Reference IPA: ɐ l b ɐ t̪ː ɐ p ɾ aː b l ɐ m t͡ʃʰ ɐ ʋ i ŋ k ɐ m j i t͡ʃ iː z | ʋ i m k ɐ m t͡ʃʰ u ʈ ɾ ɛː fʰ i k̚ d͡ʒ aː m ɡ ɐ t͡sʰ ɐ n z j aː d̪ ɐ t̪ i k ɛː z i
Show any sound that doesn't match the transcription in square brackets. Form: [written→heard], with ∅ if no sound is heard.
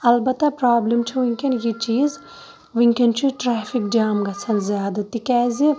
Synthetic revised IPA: ɐ l b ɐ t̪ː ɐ p ɾ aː b l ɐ m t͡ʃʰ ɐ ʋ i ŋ k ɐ [m→n] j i t͡ʃ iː z | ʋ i [m→ŋ] k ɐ [m→n] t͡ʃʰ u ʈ ɾ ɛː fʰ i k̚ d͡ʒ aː m ɡ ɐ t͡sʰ ɐ n z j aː d̪ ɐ t̪ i k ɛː z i